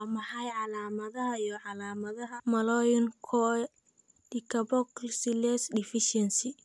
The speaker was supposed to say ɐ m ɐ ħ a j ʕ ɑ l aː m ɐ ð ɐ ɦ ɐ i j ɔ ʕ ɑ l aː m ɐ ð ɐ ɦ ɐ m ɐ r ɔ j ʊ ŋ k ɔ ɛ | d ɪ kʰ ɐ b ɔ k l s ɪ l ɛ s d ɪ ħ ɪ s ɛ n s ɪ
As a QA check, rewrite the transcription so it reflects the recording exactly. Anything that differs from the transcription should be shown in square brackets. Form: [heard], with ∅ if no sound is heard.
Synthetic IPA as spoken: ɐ m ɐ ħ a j ʕ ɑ l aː m ɐ ð ɐ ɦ ɐ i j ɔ ʕ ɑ l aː m ɐ ð ɐ ɦ ɐ m ɐ [l] ɔ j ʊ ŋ [kʰ] ɔ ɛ | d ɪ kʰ ɐ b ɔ k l s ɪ l ɛ s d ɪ [f] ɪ [ʃ] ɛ n s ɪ